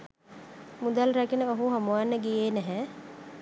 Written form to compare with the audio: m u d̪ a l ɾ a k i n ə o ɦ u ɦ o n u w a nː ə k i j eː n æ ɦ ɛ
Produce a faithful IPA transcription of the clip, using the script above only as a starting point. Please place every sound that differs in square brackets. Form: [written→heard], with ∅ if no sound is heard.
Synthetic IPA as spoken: m u d̪ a l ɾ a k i n ə o ɦ u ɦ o [n→m] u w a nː ə [k→ɡ] i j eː n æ ɦ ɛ